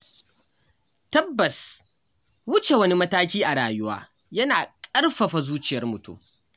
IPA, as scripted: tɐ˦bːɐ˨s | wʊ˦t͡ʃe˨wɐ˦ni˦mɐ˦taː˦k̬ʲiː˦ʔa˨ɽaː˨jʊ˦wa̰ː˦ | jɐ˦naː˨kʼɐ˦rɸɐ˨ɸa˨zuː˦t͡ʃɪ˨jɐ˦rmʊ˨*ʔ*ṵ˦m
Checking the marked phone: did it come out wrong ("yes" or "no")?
yes